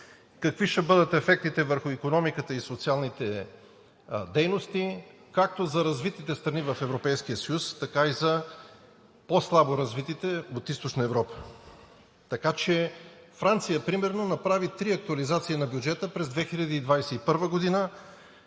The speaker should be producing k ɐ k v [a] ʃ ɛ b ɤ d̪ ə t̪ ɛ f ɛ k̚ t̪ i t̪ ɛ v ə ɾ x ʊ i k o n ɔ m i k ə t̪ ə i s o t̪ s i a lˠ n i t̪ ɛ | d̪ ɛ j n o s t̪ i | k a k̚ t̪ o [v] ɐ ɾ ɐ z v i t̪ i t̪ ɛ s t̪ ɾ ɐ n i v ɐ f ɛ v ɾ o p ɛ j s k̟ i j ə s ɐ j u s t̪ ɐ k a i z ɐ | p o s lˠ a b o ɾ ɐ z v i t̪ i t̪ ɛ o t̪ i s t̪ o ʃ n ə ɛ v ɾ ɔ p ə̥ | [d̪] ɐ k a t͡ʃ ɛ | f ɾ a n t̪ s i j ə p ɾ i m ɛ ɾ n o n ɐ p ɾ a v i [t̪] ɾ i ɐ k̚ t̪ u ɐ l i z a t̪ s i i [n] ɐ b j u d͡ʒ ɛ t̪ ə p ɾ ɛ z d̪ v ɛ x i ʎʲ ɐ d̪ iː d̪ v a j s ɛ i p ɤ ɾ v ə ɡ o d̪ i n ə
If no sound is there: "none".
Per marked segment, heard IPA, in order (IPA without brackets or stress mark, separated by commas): i, z, t̪, t̪, n